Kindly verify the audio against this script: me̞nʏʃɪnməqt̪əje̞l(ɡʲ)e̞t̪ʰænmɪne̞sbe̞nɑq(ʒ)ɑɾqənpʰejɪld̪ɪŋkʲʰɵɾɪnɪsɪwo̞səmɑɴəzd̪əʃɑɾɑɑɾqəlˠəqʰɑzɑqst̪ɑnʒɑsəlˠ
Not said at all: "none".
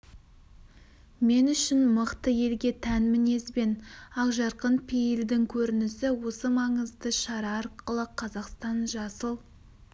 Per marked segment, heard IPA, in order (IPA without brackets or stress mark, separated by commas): ɡʲ, ʒ